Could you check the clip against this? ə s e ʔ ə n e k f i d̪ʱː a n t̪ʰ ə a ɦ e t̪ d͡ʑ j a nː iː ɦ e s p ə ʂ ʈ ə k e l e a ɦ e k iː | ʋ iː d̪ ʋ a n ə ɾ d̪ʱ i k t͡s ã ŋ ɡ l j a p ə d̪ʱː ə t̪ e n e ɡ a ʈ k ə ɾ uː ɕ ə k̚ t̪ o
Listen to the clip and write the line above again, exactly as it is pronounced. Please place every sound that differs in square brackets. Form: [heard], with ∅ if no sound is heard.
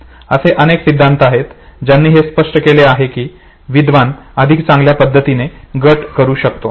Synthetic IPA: ə s e ʔ ə n e k [s] i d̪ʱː a n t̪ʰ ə a ɦ e t̪ d͡ʑ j a nː iː ɦ e s p ə ʂ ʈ ə k e l e a ɦ e k iː | ʋ [i] d̪ ʋ a n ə [∅] d̪ʱ i k t͡s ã ŋ ɡ l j a p ə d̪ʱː ə t̪ [i] n e ɡ [ə] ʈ k ə ɾ uː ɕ ə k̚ t̪ o